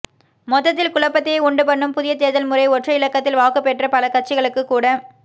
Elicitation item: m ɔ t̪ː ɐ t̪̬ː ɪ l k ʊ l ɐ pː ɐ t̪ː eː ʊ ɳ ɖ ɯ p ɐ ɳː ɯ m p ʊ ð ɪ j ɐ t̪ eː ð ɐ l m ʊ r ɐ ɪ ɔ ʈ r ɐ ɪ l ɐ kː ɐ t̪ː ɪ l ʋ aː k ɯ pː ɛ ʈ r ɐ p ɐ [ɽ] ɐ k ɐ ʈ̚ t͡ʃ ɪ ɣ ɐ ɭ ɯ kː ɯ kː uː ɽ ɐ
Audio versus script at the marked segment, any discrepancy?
yes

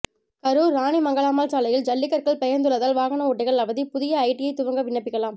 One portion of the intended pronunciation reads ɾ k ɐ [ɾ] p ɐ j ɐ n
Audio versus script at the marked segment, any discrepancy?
yes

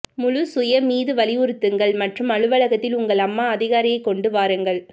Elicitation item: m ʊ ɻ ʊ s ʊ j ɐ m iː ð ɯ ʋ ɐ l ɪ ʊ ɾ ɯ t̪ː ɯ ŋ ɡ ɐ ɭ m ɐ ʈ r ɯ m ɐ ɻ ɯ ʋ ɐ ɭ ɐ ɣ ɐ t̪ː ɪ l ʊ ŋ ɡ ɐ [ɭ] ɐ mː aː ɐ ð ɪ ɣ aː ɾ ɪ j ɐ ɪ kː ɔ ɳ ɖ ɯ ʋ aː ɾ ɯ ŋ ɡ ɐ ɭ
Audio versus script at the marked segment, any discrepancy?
no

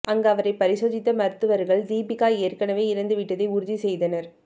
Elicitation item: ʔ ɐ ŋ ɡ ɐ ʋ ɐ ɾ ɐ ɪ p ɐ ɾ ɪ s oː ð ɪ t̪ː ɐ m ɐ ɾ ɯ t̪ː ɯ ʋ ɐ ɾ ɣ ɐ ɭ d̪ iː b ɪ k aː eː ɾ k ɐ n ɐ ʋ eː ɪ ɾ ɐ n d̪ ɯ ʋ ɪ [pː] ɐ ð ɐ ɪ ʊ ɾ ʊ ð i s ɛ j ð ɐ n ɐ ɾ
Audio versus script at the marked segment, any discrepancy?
yes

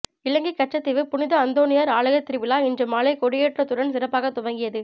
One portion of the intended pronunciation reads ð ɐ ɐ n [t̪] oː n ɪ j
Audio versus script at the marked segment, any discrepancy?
yes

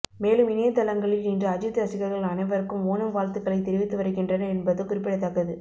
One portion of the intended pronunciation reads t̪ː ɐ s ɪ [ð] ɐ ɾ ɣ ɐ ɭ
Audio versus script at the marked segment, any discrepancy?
yes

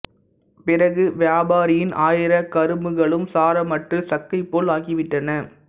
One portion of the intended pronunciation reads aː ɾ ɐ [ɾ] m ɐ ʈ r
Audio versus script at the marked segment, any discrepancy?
yes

